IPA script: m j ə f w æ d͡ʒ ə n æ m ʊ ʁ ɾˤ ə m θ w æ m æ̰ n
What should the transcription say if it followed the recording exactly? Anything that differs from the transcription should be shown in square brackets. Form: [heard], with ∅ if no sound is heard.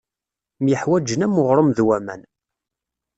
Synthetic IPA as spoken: m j ə [ħ] w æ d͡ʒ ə n æ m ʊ ʁ ɾˤ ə m [ð] w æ m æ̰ n